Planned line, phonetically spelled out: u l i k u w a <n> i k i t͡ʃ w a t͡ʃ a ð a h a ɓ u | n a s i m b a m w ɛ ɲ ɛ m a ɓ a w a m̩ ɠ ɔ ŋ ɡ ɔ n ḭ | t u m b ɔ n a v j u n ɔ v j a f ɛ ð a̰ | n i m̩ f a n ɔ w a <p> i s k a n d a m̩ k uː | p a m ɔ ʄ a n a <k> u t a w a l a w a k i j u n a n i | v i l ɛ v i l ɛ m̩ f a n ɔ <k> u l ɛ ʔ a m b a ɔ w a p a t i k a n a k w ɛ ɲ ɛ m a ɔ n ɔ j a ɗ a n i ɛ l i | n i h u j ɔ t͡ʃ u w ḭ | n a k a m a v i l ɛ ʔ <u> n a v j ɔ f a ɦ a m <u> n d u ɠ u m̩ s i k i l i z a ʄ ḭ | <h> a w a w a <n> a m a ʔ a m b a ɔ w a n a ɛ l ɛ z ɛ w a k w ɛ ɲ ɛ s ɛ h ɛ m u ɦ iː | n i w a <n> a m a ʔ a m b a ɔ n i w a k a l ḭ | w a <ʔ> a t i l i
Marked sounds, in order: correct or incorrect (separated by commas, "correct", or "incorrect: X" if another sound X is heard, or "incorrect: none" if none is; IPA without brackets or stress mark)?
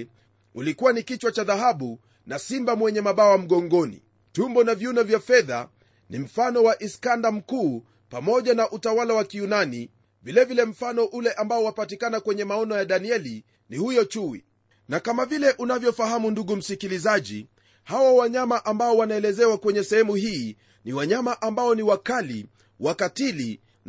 correct, incorrect: ʔ, incorrect: ʔ, incorrect: ʔ, correct, correct, correct, incorrect: ɲ, incorrect: ɲ, incorrect: k